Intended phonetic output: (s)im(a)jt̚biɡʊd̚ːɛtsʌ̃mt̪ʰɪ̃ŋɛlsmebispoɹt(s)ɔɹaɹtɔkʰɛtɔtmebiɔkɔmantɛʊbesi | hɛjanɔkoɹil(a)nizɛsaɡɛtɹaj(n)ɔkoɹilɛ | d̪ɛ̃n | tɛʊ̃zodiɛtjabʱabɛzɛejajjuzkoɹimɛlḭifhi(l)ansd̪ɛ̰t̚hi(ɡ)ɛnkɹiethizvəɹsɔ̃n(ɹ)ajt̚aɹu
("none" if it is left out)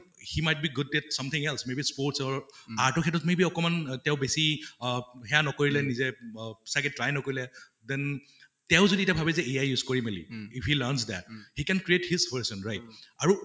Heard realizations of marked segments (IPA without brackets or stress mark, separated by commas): h, a, s, ɛ, n, l, k, ɹ